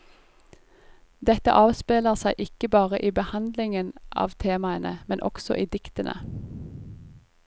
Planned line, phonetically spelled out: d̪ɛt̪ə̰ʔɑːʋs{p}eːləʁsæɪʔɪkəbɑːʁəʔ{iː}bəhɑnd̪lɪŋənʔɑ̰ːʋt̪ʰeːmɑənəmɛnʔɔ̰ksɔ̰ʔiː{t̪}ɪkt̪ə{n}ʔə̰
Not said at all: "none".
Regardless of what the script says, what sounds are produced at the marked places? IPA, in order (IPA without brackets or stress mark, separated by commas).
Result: p, iː, d̪, n